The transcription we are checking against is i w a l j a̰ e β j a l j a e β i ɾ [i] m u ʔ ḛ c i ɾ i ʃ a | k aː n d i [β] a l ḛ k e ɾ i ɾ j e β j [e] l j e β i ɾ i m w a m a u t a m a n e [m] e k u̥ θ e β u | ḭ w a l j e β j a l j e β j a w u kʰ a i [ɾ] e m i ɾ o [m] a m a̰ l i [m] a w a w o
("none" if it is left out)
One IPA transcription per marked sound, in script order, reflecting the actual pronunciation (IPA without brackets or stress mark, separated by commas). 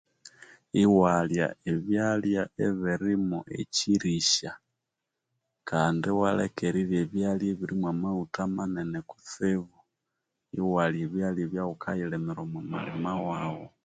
i, w, a, n, l, m, m